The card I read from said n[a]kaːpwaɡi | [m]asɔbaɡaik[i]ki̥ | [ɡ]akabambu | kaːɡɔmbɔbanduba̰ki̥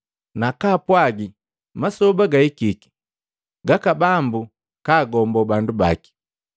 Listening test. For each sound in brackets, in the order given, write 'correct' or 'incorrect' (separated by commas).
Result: correct, correct, correct, correct